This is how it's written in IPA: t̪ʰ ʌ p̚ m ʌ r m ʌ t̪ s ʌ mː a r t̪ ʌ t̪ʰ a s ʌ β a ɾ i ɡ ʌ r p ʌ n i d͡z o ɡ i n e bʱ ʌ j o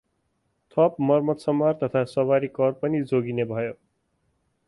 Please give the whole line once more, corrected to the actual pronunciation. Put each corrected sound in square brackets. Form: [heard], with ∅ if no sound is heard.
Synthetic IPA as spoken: t̪ʰ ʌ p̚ m ʌ r m ʌ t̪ s ʌ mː a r t̪ ʌ t̪ʰ a s ʌ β a ɾ i [k] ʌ r p ʌ n i d͡z o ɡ i n e bʱ ʌ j o